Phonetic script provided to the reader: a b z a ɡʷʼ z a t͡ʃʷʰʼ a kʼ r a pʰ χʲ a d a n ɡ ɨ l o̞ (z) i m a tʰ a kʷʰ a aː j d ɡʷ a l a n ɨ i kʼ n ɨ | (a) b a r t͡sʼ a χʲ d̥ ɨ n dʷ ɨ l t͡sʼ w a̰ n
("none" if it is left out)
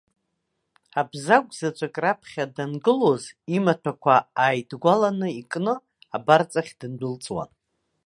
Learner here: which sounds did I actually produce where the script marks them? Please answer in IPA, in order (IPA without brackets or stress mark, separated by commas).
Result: z, a